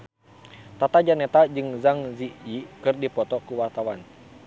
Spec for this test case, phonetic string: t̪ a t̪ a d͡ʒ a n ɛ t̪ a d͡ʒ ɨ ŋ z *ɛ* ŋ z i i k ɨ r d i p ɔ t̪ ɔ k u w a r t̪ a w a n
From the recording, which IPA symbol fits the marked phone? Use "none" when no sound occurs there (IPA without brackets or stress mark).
a